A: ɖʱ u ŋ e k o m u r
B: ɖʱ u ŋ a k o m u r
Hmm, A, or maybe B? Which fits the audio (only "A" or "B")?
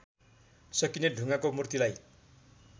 B